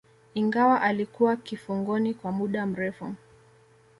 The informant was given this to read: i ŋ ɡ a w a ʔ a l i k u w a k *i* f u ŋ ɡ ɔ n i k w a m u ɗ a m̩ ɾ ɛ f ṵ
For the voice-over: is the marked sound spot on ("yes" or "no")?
yes